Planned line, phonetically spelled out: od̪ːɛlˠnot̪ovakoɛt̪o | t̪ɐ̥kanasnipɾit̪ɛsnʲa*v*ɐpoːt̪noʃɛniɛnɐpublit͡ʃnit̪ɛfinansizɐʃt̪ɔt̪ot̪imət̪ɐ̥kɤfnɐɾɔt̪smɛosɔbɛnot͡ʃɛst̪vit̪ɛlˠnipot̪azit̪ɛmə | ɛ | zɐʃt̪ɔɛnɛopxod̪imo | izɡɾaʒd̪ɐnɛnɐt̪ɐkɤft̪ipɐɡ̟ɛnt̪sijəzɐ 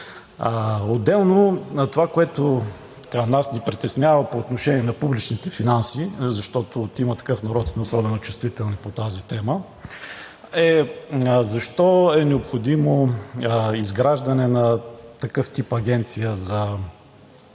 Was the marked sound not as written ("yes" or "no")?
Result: no